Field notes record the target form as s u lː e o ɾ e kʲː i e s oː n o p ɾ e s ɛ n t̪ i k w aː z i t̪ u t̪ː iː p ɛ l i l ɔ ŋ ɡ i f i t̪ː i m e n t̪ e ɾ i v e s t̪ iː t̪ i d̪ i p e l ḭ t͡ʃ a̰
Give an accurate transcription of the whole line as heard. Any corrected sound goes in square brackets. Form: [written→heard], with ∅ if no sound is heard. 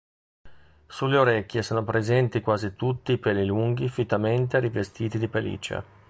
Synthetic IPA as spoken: s u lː e o ɾ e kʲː [i→j] e s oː n o p ɾ e [s→z] ɛ n t̪ i k w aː z i t̪ u t̪ː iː p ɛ l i l [ɔ→u] ŋ ɡ i f i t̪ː [i→a] m e n t̪ e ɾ i v e s t̪ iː t̪ i d̪ i p e l ḭ t͡ʃ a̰